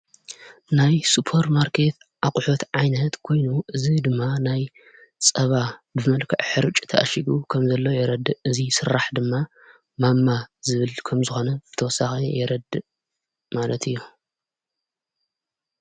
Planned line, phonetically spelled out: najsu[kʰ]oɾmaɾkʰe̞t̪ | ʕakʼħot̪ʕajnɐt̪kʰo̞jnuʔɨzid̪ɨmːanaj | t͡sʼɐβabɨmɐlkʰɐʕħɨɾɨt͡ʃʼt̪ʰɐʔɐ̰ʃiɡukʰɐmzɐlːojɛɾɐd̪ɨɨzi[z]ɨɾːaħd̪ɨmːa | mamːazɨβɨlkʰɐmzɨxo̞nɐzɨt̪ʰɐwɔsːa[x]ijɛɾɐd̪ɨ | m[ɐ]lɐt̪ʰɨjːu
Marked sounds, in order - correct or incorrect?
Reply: incorrect, incorrect, correct, incorrect

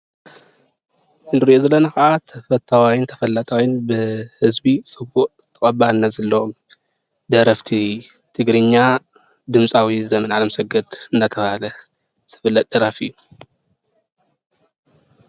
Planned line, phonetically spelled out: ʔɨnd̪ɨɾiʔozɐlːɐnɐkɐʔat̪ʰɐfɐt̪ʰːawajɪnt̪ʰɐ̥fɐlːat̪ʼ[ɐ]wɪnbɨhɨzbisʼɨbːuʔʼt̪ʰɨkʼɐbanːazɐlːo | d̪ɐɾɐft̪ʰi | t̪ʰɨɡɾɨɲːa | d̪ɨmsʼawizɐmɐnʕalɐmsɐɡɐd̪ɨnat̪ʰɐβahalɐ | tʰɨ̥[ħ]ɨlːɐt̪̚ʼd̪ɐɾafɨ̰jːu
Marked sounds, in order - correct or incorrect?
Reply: incorrect, incorrect

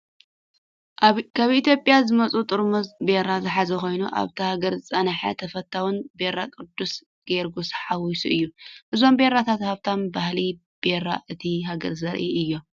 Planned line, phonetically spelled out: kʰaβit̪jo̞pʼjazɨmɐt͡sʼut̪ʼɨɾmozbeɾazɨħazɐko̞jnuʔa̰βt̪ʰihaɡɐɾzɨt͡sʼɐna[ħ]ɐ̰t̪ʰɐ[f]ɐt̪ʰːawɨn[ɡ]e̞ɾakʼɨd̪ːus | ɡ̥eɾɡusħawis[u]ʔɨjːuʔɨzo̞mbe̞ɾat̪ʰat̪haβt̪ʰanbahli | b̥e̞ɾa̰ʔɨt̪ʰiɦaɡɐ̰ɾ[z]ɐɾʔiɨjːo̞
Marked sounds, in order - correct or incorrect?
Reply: correct, correct, incorrect, correct, correct

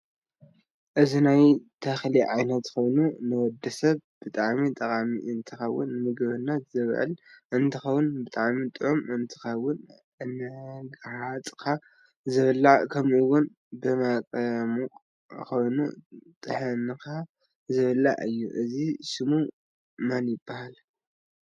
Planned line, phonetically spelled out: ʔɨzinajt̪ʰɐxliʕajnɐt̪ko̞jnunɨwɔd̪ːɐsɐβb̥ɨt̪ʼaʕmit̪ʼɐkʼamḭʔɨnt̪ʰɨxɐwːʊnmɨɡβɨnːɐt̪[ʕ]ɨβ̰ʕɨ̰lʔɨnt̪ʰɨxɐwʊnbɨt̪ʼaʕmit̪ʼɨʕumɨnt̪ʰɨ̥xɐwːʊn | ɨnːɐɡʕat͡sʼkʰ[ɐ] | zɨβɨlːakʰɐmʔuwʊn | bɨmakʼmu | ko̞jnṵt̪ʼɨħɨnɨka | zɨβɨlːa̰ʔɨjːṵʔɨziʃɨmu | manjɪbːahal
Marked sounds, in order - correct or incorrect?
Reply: incorrect, incorrect

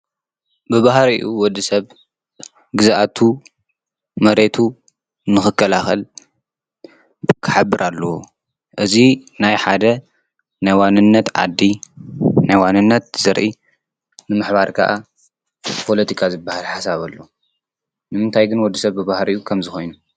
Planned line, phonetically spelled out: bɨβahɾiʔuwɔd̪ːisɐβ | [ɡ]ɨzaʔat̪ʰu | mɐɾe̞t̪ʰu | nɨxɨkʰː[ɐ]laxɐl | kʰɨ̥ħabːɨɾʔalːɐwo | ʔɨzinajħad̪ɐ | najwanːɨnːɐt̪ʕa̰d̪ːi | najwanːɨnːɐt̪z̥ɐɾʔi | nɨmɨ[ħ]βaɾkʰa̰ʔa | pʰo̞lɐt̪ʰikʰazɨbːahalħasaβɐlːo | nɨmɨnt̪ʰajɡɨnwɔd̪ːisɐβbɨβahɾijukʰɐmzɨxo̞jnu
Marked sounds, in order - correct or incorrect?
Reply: correct, correct, correct

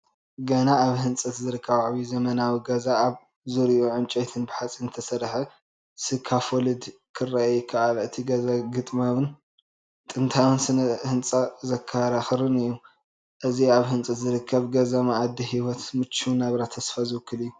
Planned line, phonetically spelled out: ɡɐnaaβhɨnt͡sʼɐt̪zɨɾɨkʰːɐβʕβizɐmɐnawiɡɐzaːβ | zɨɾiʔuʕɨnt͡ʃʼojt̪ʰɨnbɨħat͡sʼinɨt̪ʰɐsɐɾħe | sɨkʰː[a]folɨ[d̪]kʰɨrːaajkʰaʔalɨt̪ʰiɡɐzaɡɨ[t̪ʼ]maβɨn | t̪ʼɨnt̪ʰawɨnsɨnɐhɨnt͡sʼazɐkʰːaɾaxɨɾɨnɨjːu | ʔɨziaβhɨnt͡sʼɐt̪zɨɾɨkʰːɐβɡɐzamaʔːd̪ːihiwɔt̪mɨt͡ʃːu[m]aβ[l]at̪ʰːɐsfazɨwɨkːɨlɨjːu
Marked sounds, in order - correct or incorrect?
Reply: correct, correct, correct, incorrect, incorrect

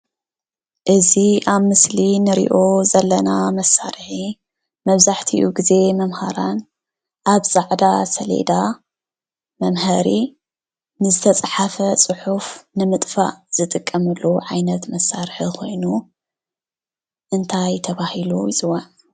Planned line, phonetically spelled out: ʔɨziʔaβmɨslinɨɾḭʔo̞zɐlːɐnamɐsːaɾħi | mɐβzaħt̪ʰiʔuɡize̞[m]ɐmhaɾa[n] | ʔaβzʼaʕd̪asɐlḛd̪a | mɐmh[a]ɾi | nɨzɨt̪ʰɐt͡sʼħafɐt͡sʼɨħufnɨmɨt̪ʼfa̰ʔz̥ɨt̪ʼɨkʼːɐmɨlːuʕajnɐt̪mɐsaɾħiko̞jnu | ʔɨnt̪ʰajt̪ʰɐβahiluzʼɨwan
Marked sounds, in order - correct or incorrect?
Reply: correct, correct, incorrect

